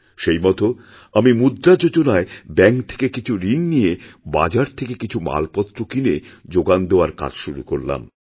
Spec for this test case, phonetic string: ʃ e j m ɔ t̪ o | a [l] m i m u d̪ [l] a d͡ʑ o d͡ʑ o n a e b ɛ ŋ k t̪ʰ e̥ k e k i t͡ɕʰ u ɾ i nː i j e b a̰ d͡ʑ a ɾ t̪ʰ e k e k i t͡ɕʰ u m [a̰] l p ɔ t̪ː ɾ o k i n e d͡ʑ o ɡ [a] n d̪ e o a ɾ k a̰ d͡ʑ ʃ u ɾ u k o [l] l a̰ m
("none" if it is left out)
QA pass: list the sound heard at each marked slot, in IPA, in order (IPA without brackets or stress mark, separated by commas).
none, ɾ, a̰, a, ɾ